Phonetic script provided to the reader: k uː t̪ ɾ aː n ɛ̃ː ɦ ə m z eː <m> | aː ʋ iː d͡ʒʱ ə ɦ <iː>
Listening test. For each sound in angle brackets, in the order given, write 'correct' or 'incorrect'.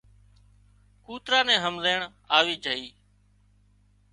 incorrect: ɳ, correct

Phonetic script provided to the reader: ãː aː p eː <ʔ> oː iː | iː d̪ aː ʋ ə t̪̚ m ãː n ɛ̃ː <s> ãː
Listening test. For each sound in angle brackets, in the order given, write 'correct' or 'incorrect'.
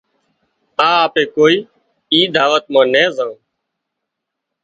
incorrect: k, incorrect: z

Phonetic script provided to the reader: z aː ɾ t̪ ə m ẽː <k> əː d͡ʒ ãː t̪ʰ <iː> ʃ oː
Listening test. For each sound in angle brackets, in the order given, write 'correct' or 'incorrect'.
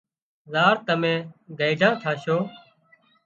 incorrect: ɡ, incorrect: aː

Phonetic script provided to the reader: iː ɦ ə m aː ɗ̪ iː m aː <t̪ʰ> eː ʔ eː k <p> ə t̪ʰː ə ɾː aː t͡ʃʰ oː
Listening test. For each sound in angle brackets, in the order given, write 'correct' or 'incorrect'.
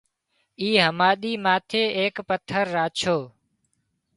correct, correct

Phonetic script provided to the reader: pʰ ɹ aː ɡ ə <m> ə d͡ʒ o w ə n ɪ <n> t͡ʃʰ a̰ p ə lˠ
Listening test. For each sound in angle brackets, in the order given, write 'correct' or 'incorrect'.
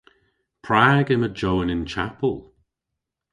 correct, correct

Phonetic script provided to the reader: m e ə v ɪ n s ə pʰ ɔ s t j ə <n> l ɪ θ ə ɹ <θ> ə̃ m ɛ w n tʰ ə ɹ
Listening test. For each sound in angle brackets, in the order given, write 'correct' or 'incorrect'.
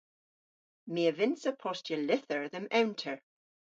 incorrect: none, incorrect: ð

